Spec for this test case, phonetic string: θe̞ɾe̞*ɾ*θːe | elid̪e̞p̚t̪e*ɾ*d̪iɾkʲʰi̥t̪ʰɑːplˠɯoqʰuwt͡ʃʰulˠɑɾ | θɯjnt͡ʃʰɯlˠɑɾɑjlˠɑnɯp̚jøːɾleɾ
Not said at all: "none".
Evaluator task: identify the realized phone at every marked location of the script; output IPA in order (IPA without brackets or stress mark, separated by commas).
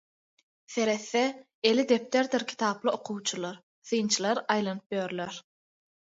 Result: none, ɾ